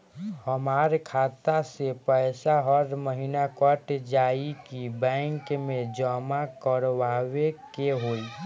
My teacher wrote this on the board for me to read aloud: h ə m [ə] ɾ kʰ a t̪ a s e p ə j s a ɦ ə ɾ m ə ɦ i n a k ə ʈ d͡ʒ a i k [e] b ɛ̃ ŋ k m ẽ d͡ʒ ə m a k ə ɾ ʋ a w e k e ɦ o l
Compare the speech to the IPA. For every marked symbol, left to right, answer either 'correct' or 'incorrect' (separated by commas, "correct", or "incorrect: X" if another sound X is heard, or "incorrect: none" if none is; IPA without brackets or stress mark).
incorrect: a, incorrect: i